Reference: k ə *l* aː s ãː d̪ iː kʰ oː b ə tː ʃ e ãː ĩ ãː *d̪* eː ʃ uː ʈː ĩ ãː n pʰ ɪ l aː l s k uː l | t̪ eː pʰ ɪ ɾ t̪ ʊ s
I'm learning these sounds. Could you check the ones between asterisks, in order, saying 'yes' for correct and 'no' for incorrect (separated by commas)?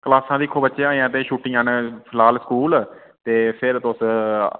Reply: yes, no